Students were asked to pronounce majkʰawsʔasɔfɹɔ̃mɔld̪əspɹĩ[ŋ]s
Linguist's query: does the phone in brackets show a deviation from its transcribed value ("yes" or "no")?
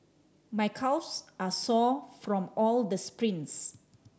yes